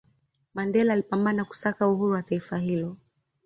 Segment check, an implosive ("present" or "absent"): absent